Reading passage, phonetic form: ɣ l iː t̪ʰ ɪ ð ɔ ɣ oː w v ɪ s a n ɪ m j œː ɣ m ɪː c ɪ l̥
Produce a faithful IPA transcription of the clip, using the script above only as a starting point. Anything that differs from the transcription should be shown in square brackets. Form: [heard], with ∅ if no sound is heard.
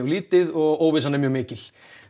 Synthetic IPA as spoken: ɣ l iː [t̪] ɪ ð ɔ ɣ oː w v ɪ s a n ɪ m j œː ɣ m ɪː c ɪ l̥